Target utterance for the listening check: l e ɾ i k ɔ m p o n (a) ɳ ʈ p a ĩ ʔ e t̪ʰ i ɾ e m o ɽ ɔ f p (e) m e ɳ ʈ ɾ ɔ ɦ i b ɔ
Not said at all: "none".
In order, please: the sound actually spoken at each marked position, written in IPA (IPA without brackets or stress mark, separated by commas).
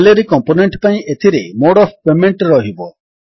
e, e